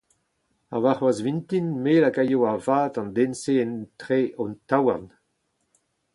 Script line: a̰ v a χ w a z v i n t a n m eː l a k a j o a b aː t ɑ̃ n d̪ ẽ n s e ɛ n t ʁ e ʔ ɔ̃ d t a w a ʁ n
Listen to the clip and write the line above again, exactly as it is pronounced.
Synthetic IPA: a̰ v a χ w a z v i n t i n m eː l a k a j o a v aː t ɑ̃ n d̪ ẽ n s e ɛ n t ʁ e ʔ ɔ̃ n t a w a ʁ n